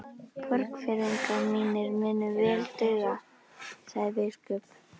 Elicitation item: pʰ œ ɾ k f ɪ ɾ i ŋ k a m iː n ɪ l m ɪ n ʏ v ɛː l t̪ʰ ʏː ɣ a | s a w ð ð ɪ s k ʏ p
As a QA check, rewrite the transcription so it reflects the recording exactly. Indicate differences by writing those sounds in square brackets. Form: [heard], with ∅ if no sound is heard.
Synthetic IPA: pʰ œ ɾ k f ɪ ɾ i ŋ k a m iː n ɪ [ɾ] m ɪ n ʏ v ɛː l [t̪] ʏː ɣ a | s a [ɣ] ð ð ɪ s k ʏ p